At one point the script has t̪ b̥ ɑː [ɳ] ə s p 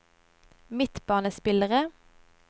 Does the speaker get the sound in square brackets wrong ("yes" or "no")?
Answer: yes